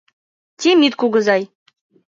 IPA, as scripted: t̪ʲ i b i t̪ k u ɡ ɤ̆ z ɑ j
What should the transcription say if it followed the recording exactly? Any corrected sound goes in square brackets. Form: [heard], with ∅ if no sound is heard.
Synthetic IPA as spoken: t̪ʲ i [m] i t̪ k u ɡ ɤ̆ z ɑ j